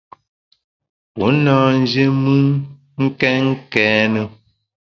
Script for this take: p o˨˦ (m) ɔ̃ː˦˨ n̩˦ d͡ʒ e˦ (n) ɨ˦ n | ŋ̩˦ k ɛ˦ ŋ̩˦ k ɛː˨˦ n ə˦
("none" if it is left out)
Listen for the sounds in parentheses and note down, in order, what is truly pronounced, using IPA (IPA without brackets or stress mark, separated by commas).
n, m